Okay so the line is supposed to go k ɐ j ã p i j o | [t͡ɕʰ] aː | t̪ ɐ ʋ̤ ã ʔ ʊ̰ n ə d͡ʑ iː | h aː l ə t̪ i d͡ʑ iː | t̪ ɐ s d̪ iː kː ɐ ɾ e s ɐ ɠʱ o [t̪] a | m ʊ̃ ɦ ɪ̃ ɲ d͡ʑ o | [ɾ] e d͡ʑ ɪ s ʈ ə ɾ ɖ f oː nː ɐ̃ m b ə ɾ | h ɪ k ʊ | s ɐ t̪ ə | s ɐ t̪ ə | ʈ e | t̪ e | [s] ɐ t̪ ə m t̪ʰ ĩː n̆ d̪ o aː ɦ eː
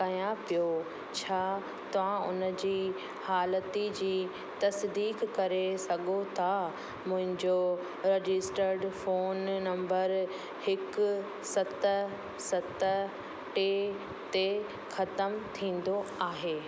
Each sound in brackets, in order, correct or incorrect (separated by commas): correct, incorrect, correct, incorrect